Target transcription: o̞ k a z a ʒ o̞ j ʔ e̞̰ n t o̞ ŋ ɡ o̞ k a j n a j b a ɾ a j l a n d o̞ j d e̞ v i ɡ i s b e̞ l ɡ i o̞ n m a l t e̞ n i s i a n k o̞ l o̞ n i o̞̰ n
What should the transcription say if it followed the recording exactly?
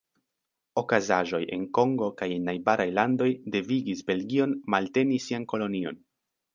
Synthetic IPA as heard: o̞ k a z a ʒ o̞ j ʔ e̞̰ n k o̞ ŋ ɡ o̞ k a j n a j b a ɾ a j l a n d o̞ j d e̞ v i ɡ i s b e̞ l ɡ i o̞ n m a l t e̞ n i s i a n k o̞ l o̞ n i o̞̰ n

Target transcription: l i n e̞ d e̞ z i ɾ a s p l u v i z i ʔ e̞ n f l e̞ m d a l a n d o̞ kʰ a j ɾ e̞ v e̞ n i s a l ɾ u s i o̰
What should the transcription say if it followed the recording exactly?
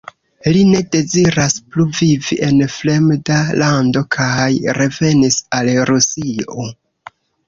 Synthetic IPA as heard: l i n e̞ d e̞ z i ɾ a s p l u v i v i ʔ e̞ n f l e̞ m d a l a n d o̞ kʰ a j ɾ e̞ v e̞ n i s a l ɾ u s i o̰

